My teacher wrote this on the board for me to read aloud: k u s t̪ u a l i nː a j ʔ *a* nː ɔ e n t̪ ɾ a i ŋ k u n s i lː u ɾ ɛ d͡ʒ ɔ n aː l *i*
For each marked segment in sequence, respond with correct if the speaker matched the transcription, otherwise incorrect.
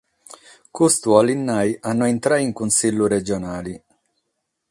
correct, correct

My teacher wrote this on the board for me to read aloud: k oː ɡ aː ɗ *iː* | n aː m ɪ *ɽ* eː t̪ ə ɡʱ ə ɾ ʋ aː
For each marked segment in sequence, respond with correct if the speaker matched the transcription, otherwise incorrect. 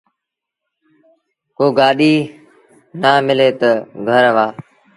correct, incorrect: l

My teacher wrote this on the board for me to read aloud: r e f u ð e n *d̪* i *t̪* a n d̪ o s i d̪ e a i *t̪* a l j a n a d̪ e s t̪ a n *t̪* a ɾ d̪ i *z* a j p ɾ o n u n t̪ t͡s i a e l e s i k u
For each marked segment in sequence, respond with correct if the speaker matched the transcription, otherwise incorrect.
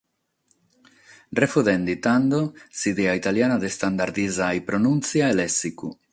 correct, correct, correct, incorrect: d̪, correct

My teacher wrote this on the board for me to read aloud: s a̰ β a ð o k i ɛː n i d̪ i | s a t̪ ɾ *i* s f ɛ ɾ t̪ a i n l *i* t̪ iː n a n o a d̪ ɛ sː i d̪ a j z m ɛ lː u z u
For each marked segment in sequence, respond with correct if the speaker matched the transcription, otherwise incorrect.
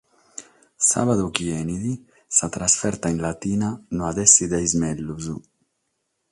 incorrect: a, incorrect: a

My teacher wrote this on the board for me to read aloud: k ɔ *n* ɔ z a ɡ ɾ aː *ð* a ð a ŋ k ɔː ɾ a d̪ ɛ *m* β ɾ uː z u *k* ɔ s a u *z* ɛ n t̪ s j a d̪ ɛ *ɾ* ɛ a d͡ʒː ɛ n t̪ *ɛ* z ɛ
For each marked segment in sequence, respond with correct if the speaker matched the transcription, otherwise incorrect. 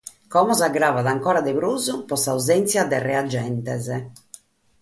incorrect: m, incorrect: v, incorrect: none, incorrect: p, correct, incorrect: r, correct

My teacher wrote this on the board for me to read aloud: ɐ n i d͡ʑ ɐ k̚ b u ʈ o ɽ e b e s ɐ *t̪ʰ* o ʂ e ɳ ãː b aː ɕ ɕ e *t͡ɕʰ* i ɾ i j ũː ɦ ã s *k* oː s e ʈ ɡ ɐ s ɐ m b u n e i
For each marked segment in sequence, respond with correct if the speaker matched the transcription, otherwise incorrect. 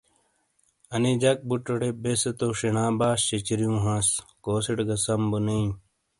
incorrect: t̪, incorrect: t͡ɕ, correct

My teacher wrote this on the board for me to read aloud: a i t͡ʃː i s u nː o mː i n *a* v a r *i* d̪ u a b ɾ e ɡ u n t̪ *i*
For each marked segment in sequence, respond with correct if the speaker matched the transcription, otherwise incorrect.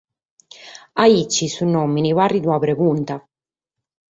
incorrect: i, correct, incorrect: a

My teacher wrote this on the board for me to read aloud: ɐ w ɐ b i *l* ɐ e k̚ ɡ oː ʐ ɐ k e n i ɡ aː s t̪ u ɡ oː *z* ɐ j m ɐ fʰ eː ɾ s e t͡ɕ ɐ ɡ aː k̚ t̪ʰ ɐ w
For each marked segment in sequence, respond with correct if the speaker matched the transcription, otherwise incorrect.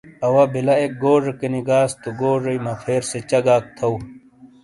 correct, incorrect: ʐ

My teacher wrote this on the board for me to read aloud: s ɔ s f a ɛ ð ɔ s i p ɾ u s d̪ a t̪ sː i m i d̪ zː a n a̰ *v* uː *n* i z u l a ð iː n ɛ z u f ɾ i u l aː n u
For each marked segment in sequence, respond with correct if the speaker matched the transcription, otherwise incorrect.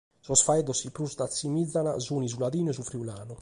incorrect: z, correct

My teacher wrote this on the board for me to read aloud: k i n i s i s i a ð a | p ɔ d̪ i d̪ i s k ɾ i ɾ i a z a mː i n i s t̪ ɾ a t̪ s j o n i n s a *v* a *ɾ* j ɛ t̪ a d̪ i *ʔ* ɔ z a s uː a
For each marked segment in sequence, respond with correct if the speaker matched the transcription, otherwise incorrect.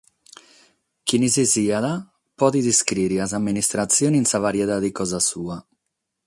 correct, correct, incorrect: k

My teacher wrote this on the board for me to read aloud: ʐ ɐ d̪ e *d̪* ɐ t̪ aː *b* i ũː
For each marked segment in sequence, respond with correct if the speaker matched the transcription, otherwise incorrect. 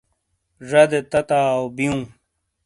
incorrect: t̪, correct

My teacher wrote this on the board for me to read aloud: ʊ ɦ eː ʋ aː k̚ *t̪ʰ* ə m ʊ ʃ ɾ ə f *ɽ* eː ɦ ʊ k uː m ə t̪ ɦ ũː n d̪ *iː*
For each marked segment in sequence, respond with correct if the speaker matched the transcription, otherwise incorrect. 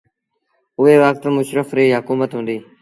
incorrect: t̪, incorrect: ɾ, correct

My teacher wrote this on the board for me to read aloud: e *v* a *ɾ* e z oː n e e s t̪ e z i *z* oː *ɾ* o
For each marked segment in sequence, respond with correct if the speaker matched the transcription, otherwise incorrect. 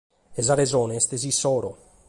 incorrect: z, correct, incorrect: s, correct

